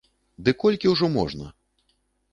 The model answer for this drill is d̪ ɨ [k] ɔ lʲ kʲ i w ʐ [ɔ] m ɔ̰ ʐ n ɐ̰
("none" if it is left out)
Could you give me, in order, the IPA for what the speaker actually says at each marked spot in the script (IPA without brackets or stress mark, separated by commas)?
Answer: k, ɔ